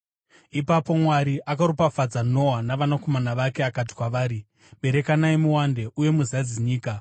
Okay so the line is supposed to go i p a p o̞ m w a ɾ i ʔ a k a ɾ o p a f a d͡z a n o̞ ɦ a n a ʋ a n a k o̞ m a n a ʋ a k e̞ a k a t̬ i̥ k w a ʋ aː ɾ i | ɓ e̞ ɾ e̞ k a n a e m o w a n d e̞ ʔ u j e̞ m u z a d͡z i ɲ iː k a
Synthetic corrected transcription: i p a p o̞ m w a ɾ i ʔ a k a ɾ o p a f a d͡z a n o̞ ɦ a n a ʋ a n a k o̞ m a n a ʋ a k e̞ a k a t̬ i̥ k w a ʋ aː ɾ i | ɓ e̞ ɾ e̞ k a n a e m u w a n d e̞ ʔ u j e̞ m u z a d͡z i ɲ iː k a